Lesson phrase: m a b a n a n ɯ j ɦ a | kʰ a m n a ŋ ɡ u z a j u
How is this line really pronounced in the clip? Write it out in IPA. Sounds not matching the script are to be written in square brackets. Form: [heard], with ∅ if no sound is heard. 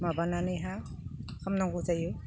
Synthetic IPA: m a b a n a n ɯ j ɦ a | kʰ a m n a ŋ ɡ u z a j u